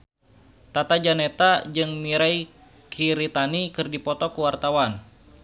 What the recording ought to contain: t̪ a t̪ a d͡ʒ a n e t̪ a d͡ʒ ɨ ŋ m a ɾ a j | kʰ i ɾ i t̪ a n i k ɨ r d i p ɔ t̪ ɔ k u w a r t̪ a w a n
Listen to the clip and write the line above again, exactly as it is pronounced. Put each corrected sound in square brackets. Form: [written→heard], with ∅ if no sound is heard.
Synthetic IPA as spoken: t̪ a t̪ a d͡ʒ a n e t̪ a d͡ʒ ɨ ŋ m [a→i] ɾ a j | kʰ i ɾ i t̪ a n i k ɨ r d i p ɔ t̪ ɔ k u w a r t̪ a w a n